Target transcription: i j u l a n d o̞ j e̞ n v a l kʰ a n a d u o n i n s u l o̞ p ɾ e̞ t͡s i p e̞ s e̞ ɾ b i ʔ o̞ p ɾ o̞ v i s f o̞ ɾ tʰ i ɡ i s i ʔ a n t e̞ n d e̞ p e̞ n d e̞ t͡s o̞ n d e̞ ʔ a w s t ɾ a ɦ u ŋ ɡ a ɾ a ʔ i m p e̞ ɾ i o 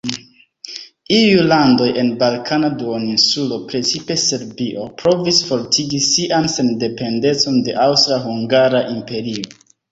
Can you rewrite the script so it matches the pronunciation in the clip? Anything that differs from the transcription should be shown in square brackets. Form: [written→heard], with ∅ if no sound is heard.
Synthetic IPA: i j u l a n d o̞ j e̞ n [v→b] a l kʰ a n a d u o n i n s u l o̞ p ɾ e̞ t͡s i p e̞ s e̞ ɾ b i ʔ o̞ p ɾ o̞ v i s f o̞ ɾ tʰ i ɡ i s i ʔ a n [t→s] e̞ n d e̞ p e̞ n d e̞ t͡s o̞ n d e̞ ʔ a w s t ɾ a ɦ u ŋ ɡ a ɾ a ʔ i m p e̞ ɾ i o